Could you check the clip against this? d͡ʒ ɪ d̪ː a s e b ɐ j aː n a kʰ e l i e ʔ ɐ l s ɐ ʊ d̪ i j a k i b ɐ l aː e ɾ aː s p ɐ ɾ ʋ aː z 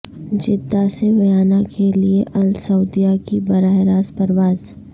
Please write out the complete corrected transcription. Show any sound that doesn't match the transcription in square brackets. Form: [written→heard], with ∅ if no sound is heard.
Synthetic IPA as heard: d͡ʒ ɪ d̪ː a s e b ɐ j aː n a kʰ e l i e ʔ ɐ l s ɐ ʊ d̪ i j a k i b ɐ [l→ɾ] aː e ɾ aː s p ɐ ɾ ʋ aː z